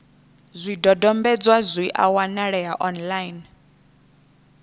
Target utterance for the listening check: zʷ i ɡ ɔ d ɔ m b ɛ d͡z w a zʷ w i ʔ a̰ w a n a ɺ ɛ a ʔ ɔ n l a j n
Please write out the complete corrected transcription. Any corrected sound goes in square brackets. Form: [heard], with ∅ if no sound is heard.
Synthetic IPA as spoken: zʷ i [d] ɔ d ɔ m b ɛ d͡z w a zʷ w i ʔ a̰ w a n a ɺ ɛ a ʔ ɔ n l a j n